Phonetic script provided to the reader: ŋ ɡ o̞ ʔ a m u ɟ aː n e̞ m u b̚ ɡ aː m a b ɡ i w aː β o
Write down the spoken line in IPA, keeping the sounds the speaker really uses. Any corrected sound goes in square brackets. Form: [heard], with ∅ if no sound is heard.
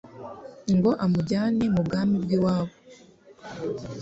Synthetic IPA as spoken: ŋ ɡ o̞ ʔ a m u ɟ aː n e̞ m u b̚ ɡ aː m [i] b ɡ i w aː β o